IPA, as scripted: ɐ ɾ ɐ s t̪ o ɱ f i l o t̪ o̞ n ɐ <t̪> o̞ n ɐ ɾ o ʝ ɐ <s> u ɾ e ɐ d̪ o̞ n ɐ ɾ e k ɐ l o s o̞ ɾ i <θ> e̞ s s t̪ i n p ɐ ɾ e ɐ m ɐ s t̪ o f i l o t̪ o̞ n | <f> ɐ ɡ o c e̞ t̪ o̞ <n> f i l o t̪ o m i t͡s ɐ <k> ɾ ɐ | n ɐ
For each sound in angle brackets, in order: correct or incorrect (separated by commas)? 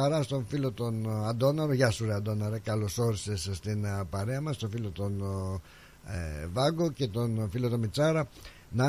incorrect, correct, incorrect, incorrect, correct, incorrect